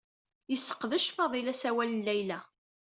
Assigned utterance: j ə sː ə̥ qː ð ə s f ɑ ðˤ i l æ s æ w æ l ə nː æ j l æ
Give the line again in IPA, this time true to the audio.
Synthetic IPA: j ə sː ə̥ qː ð ə ʃ f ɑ ðˤ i l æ s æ w æ l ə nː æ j l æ